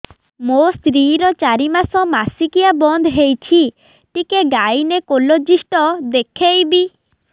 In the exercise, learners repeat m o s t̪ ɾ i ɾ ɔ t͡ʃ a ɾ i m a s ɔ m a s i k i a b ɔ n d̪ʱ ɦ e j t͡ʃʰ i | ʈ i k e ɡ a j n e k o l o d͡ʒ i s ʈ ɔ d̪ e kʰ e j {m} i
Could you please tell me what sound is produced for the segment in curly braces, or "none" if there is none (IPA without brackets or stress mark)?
b